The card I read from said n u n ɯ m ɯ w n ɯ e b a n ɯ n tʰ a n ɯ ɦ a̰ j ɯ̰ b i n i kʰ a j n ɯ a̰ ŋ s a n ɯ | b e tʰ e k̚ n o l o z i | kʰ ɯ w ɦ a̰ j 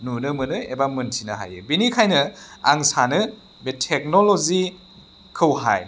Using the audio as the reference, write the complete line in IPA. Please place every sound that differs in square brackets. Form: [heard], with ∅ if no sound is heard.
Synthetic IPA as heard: n u n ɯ m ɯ [∅] n ɯ e b a [m] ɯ n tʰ [i] n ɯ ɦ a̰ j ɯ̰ b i n i kʰ a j n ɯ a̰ ŋ s a n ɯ | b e tʰ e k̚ n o l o z i | kʰ ɯ w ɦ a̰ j